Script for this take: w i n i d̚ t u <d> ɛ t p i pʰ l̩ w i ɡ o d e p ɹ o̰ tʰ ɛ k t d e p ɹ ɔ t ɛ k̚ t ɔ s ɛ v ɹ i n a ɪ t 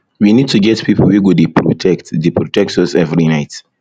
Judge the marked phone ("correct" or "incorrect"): incorrect